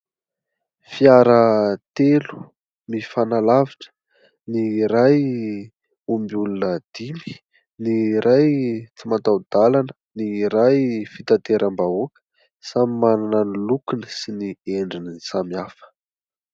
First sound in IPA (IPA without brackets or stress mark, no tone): f